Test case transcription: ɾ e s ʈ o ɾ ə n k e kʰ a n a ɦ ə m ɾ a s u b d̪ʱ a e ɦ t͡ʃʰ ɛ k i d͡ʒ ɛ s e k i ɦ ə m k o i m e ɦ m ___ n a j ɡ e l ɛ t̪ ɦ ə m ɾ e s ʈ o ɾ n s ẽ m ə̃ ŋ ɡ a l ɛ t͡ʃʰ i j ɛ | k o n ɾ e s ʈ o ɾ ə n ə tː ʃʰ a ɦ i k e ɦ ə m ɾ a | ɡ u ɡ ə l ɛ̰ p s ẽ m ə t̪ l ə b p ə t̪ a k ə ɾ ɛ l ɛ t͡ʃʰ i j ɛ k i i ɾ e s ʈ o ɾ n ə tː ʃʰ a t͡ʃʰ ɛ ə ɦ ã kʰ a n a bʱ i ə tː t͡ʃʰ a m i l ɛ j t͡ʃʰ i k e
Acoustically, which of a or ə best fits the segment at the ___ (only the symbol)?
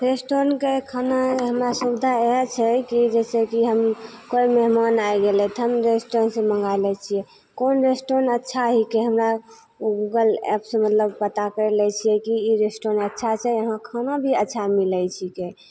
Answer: a